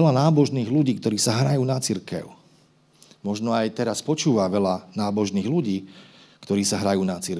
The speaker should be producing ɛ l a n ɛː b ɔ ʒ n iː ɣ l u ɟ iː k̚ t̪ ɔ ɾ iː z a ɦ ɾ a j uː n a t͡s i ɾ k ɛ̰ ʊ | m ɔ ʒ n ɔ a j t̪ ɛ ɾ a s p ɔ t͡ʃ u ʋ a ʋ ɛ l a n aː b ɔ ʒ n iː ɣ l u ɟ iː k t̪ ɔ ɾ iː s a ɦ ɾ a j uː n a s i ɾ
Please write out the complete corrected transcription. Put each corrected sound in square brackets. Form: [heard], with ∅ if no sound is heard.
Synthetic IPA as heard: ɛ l a n [aː] b ɔ ʒ n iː ɣ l u ɟ iː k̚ t̪ ɔ ɾ iː [s] a ɦ ɾ a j uː n a t͡s i ɾ k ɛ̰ ʊ | m ɔ ʒ n ɔ a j t̪ ɛ ɾ a s p ɔ t͡ʃ [uː] ʋ a ʋ ɛ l a n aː b ɔ ʒ n iː ɣ l u ɟ iː k t̪ ɔ ɾ iː s a ɦ ɾ a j uː n a [t͡s] i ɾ